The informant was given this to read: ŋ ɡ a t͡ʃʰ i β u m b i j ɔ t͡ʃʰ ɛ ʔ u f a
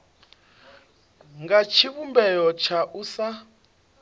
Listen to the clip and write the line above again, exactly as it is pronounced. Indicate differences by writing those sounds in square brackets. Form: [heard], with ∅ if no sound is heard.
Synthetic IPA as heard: ŋ ɡ a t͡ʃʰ i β u m b [ɛ] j ɔ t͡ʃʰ [a] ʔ u [s] a